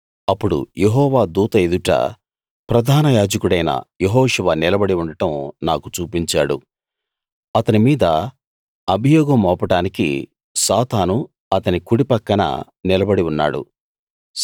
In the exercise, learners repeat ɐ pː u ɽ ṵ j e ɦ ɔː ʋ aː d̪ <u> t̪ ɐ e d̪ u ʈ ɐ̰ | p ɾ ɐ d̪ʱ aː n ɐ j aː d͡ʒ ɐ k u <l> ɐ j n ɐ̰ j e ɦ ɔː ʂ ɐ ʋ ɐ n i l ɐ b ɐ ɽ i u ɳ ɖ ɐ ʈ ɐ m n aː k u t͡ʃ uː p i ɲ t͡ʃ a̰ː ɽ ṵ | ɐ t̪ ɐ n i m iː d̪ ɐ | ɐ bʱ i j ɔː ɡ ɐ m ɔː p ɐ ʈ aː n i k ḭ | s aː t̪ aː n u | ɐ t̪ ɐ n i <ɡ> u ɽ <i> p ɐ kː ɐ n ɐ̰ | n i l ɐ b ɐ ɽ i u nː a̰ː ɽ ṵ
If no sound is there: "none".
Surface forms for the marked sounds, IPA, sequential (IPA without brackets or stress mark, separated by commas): uː, ɽ, k, i